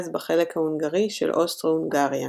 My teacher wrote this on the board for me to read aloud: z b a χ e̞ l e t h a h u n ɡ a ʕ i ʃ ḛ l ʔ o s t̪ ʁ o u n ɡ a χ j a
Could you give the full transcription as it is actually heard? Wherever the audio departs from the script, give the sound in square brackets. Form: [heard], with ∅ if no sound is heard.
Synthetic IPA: z b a χ e̞ l e [k] h a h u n ɡ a [ʁ] i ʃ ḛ l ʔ o s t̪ ʁ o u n ɡ a [ʁ] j a